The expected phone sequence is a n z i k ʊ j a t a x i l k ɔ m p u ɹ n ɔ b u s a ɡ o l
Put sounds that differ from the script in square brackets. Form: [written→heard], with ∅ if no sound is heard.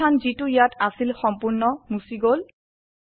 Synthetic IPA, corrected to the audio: a n z i [k→t] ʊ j a t a [x→s] i l [k→x] ɔ m p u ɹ n ɔ [b→m] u s [a→i] ɡ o l